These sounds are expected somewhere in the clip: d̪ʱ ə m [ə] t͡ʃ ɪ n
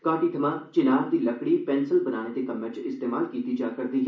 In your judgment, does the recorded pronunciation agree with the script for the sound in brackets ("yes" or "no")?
no